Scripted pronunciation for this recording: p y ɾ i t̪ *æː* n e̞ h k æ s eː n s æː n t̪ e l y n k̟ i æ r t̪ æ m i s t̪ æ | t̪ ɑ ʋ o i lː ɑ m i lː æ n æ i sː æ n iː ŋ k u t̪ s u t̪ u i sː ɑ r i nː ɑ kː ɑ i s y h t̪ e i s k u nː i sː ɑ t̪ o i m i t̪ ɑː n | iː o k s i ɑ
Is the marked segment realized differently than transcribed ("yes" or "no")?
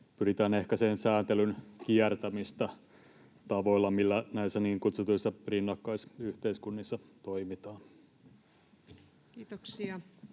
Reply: no